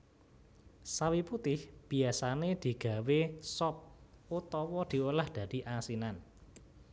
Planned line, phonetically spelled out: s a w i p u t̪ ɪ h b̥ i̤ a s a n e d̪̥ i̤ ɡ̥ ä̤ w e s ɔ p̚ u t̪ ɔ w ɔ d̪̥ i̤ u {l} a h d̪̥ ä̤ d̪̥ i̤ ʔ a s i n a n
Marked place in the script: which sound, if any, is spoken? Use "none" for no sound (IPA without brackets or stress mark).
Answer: l